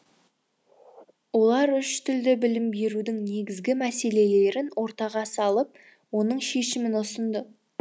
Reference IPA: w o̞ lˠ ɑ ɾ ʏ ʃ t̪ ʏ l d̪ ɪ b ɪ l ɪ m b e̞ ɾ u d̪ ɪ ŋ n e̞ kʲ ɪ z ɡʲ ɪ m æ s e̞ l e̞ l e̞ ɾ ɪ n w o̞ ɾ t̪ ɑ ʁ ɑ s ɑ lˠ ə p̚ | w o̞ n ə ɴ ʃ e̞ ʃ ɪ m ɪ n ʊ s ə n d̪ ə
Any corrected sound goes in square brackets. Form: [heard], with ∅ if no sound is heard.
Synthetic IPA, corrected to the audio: w o̞ lˠ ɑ ɾ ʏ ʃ t̪ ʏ l d̪ ɪ b ɪ l ɪ m b e̞ ɾ u d̪ ɪ ŋ n e̞ [ɡʲ] ɪ z ɡʲ ɪ m æ s e̞ l e̞ l e̞ ɾ ɪ n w o̞ ɾ t̪ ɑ ʁ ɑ s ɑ lˠ ə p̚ | w o̞ n ə ɴ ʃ e̞ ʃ ɪ m ɪ n ʊ s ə n d̪ ə